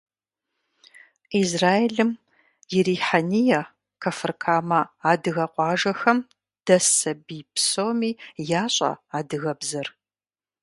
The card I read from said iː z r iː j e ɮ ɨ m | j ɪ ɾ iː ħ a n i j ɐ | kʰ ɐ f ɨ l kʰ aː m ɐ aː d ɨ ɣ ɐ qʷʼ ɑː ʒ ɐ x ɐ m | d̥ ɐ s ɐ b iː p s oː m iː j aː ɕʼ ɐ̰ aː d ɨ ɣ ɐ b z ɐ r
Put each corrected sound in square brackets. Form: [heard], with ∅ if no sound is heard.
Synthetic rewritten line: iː z r [aː] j e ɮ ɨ m | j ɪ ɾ iː ħ a n i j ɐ | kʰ ɐ f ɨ [r] kʰ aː m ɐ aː d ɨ ɣ ɐ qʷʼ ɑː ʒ ɐ x ɐ m | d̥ ɐ s ɐ b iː p s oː m iː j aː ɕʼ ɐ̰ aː d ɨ ɣ ɐ b z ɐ r